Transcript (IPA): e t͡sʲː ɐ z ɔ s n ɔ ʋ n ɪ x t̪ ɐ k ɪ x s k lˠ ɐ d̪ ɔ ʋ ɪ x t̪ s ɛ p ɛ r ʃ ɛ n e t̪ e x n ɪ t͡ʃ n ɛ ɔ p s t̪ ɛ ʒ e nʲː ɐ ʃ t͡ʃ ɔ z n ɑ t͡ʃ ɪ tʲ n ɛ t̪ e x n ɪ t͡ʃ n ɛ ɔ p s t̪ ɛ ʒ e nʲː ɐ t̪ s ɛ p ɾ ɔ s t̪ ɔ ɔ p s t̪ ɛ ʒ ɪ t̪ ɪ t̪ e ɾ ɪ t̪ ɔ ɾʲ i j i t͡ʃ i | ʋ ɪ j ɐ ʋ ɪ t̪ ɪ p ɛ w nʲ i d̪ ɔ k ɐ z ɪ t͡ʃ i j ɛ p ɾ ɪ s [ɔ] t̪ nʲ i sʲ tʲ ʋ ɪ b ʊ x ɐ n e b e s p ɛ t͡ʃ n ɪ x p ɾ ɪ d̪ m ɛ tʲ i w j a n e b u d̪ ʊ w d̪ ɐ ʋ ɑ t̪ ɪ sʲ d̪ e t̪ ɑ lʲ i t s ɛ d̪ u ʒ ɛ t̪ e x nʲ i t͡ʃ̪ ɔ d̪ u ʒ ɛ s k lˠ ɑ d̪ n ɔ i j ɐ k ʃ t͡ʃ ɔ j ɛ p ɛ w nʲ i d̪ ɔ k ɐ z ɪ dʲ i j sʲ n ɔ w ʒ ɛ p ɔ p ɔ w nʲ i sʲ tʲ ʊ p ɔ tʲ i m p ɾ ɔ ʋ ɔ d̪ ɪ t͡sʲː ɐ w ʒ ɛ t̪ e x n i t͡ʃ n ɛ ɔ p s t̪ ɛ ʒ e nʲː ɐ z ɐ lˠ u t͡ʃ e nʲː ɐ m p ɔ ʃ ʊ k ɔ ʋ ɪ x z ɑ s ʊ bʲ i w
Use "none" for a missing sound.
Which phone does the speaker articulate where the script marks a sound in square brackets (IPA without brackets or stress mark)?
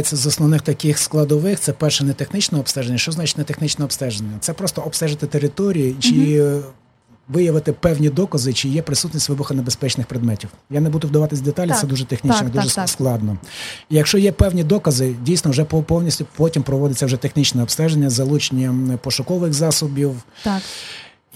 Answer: u